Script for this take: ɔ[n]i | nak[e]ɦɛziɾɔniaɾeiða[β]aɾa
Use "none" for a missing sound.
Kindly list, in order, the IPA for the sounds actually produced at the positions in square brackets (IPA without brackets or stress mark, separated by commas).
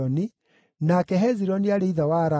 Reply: n, ɛ, w